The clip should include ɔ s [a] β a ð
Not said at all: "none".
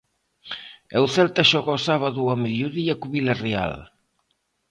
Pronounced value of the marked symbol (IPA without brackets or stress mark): a